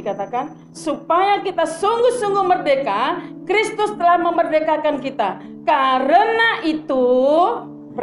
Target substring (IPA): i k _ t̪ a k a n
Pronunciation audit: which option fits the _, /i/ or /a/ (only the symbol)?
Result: a